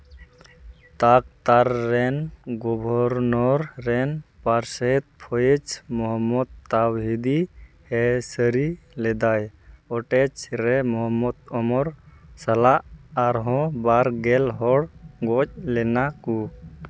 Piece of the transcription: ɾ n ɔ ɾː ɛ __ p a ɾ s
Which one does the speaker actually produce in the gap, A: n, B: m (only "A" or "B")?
A